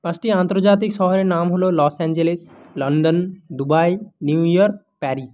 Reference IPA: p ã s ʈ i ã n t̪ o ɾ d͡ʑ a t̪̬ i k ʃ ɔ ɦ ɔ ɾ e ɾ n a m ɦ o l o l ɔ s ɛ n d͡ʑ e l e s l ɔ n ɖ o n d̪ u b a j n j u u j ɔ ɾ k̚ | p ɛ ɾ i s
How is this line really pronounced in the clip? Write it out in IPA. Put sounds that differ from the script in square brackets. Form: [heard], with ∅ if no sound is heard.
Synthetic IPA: p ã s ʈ i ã n t̪ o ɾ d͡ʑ a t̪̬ i k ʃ ɔ ɦ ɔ ɾ e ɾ n a m ɦ o l o l ɔ s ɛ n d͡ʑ e l e s l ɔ n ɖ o n d̪ u b a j n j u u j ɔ ɾ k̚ | p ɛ ɾ i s